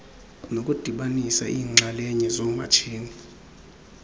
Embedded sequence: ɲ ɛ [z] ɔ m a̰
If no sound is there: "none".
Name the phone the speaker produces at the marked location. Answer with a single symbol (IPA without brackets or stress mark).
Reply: z